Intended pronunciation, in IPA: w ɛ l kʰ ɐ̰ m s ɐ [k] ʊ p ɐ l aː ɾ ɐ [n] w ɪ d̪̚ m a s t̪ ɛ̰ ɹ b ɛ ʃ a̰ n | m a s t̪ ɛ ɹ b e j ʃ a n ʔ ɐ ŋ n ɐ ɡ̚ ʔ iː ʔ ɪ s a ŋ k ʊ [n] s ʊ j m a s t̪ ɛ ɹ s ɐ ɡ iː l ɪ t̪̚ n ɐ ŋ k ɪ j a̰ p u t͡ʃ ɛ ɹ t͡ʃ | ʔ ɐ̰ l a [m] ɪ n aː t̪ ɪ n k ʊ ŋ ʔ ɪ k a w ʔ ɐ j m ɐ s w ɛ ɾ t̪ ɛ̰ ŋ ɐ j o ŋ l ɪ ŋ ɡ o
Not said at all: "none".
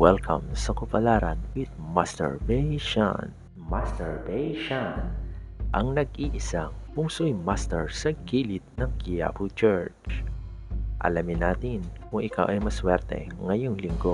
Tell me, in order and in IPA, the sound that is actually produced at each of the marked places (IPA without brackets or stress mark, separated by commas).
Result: k, n, ŋ, m